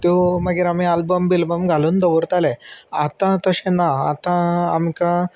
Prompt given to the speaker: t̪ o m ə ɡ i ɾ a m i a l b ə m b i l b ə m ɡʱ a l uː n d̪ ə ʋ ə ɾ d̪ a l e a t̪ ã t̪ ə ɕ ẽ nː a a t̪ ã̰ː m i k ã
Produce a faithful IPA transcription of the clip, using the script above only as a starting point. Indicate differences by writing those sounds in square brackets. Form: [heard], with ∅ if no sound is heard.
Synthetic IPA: t̪ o m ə ɡ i ɾ a m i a l b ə m b i l b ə m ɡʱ a l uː n d̪ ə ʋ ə ɾ [t̪] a l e a t̪ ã t̪ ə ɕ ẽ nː a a t̪ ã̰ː m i k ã